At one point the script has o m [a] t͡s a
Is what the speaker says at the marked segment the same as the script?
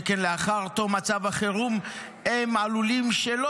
yes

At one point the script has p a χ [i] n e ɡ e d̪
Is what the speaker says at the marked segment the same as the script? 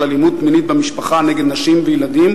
no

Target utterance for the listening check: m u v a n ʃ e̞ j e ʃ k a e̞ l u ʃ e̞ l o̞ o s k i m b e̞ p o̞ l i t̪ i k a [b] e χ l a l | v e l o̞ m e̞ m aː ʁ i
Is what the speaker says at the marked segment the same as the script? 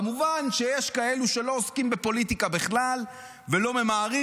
yes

